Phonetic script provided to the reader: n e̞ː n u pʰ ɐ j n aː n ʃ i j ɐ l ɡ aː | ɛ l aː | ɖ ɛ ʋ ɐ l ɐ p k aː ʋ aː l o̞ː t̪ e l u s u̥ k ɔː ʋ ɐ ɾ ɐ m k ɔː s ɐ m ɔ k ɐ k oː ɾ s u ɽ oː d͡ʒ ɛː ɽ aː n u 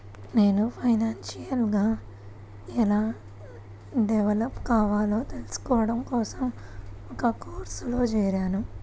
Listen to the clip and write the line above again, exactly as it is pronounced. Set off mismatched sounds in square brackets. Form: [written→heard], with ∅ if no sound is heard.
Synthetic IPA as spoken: n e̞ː n u pʰ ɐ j n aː n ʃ i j ɐ l ɡ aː | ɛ l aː | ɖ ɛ ʋ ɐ l ɐ p k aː ʋ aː l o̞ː t̪ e l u s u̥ k ɔː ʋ ɐ [ɾ→ɽ] ɐ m k ɔː s ɐ m ɔ k ɐ k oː ɾ s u [ɽ→l] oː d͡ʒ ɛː [ɽ→ɾ] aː n u